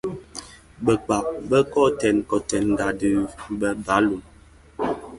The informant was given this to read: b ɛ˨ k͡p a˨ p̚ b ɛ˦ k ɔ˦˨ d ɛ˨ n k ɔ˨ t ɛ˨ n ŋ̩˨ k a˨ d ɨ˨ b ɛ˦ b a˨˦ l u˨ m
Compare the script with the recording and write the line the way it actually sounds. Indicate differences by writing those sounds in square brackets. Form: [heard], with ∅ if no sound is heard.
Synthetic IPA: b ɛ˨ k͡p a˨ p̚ b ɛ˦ k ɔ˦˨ [t] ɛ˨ n k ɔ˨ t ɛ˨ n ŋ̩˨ [ɡ] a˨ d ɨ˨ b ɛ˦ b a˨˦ l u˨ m